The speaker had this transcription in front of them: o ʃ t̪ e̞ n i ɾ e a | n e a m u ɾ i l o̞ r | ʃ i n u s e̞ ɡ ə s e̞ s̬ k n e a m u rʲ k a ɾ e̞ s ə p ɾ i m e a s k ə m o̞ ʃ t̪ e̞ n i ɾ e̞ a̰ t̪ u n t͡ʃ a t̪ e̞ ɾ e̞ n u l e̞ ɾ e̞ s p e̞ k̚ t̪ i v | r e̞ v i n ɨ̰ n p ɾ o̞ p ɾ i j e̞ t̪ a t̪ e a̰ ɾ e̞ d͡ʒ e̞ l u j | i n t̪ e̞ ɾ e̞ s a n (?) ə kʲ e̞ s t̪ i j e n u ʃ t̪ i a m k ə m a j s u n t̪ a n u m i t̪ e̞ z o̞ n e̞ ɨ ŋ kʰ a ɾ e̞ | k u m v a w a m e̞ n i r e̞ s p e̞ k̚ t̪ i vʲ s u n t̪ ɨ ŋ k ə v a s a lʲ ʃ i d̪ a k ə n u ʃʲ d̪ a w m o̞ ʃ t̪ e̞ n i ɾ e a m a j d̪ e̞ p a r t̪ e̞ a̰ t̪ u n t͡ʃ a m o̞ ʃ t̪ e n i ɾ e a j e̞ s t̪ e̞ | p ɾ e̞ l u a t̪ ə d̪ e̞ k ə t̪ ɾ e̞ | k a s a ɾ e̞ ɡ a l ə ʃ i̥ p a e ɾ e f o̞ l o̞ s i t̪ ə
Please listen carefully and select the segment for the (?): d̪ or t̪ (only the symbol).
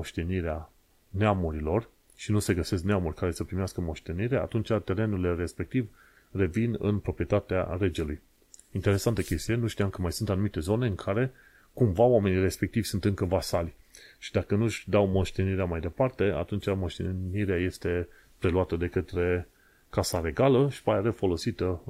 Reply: t̪